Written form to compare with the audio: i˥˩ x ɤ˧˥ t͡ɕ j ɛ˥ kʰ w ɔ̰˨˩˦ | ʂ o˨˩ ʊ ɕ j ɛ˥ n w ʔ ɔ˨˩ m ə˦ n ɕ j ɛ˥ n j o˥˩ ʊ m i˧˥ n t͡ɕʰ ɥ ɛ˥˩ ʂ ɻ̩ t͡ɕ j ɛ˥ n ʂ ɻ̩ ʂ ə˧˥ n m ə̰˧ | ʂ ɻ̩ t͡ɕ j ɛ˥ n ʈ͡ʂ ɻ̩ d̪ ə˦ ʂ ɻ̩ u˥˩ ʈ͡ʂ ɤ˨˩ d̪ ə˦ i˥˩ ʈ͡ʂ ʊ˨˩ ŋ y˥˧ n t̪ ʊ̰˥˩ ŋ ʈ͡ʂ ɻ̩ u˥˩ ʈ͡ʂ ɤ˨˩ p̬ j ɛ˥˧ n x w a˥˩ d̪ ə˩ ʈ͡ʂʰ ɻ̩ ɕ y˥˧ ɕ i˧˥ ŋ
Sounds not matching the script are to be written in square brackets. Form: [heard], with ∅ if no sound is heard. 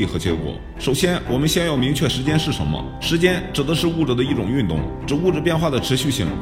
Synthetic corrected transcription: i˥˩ x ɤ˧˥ t͡ɕ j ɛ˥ [k] w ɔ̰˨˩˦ | ʂ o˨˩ ʊ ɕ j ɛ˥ n w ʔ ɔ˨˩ m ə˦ n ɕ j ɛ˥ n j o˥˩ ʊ m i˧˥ [ŋ] t͡ɕʰ ɥ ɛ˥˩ ʂ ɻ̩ t͡ɕ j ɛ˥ n ʂ ɻ̩ ʂ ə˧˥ n m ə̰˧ | ʂ ɻ̩ t͡ɕ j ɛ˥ n ʈ͡ʂ ɻ̩ d̪ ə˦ ʂ ɻ̩ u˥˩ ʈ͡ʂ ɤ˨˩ d̪ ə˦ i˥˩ ʈ͡ʂ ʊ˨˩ ŋ y˥˧ n t̪ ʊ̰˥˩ ŋ ʈ͡ʂ ɻ̩ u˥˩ ʈ͡ʂ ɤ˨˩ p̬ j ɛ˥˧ n x w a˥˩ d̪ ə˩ ʈ͡ʂʰ ɻ̩ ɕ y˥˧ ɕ [i˥˩] ŋ